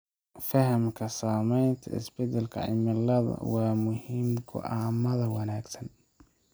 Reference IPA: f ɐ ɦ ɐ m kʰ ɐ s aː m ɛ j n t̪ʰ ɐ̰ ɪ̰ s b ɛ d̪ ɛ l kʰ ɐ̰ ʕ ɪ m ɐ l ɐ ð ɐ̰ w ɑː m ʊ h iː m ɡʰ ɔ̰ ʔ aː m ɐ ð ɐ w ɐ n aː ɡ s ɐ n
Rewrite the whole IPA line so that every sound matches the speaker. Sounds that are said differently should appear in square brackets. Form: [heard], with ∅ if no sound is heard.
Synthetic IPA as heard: f ɐ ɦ ɐ m kʰ ɐ s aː m ɛ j n t̪ʰ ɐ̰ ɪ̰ s b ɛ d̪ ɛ l kʰ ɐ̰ ʕ ɪ m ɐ l ɐ ð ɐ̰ w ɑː m ʊ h iː m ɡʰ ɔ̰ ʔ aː m ɐ ð ɐ w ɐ n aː ɡ s ɐ n

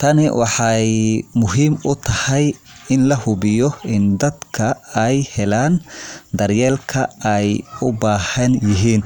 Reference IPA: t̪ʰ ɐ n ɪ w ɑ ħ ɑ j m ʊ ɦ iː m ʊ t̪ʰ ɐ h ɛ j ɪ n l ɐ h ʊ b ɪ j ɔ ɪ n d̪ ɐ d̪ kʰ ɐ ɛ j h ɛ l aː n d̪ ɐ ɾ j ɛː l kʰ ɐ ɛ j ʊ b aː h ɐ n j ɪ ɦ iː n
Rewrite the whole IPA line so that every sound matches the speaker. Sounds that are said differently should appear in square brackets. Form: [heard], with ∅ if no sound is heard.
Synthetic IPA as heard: t̪ʰ ɐ n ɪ w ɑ ħ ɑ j m ʊ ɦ iː m ʊ t̪ʰ ɐ h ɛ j ɪ n l ɐ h ʊ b ɪ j ɔ ɪ n d̪ ɐ d̪ kʰ ɐ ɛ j h ɛ l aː n d̪ ɐ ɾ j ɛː l kʰ ɐ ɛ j ʊ b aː h ɐ n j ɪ ɦ iː n

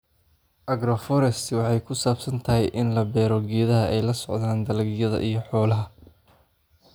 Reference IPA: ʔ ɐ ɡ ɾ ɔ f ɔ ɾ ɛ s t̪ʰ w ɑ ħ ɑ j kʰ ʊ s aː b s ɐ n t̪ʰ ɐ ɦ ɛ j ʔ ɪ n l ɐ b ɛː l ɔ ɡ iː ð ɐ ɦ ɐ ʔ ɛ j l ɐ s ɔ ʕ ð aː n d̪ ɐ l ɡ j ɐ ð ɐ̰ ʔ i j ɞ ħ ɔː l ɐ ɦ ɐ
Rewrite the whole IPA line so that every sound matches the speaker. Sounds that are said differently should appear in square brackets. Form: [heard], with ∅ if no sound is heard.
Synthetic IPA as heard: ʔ ɐ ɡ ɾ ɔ f ɔ ɾ ɛ s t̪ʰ w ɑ ħ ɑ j kʰ ʊ s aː b s ɐ n t̪ʰ ɐ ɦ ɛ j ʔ ɪ n l ɐ b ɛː [ɾ] ɔ ɡ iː ð ɐ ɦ ɐ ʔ ɛ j l ɐ s ɔ ʕ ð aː n d̪ ɐ l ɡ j ɐ ð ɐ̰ ʔ i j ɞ ħ ɔː l ɐ ɦ ɐ

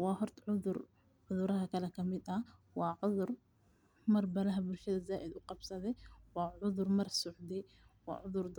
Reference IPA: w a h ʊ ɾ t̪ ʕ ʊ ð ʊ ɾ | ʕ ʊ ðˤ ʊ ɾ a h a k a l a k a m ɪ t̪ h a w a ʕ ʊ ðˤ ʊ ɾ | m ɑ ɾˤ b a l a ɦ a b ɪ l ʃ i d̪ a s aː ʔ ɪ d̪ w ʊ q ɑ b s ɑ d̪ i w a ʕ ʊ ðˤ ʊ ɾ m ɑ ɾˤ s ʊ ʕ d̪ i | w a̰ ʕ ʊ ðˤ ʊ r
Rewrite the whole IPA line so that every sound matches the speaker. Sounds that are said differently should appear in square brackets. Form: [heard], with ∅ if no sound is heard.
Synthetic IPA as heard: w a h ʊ ɾ t̪ ʕ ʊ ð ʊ ɾ | ʕ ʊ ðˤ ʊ ɾ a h a k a l a k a m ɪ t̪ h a w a ʕ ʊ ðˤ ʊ ɾ | m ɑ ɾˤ b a l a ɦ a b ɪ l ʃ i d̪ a [z] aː ʔ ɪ d̪ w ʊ q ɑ b s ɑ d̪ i w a ʕ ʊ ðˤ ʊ ɾ m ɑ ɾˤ s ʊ ʕ d̪ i | w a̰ ʕ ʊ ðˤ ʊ [ɾ]

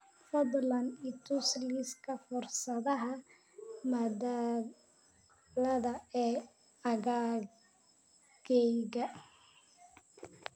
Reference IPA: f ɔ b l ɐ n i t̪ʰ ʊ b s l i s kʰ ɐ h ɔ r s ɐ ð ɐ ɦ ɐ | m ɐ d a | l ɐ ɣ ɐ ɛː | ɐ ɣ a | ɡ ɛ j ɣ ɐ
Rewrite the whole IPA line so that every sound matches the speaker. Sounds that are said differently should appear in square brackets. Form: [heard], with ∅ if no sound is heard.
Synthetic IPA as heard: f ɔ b l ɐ n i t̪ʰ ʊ [∅] s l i s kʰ ɐ [f] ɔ r s ɐ ð ɐ ɦ ɐ | m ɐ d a | l ɐ [ð] ɐ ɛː | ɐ ɣ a | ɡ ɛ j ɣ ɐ

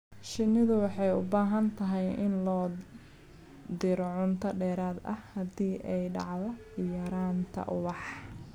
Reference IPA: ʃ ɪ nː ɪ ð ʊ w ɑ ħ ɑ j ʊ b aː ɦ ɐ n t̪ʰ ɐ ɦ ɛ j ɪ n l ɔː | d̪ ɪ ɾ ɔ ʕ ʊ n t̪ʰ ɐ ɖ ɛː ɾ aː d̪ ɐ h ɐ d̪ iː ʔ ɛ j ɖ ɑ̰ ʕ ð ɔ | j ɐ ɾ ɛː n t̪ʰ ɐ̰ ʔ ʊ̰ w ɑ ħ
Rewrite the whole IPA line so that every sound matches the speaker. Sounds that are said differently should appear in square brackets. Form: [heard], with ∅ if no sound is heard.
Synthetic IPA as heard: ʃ ɪ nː ɪ ð ʊ w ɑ ħ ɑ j ʊ b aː ɦ ɐ n t̪ʰ ɐ ɦ ɛ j ɪ n l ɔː | d̪ ɪ ɾ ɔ ʕ ʊ n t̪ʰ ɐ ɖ ɛː ɾ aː d̪ ɐ h ɐ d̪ iː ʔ ɛ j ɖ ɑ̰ ʕ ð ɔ | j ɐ ɾ [aː] n t̪ʰ ɐ̰ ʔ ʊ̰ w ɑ ħ

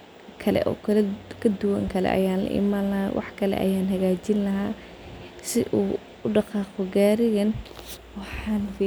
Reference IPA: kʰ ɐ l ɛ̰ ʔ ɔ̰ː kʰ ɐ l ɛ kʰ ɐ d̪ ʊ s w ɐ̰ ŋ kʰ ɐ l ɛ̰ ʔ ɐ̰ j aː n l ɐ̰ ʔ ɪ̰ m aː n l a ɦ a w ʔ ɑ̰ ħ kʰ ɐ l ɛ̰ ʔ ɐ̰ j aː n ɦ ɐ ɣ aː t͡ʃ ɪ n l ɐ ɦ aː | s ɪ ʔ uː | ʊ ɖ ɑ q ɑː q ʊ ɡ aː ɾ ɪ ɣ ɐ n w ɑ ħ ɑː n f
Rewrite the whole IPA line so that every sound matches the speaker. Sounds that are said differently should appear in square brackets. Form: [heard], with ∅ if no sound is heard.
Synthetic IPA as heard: kʰ ɐ l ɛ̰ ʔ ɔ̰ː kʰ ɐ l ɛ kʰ ɐ d̪ ʊ [∅] w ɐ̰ ŋ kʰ ɐ l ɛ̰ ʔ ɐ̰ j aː n l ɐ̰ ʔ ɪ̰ m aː n l [ɐ] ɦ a w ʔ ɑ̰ ħ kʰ ɐ l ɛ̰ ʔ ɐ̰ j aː n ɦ ɐ ɣ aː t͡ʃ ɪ n l ɐ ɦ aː | s ɪ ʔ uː | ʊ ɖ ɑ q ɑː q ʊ ɡ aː ɾ ɪ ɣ ɐ n w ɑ ħ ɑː n f

